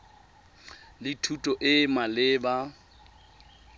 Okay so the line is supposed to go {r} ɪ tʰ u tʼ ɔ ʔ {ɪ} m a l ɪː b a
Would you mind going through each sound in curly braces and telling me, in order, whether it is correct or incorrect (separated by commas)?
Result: incorrect, correct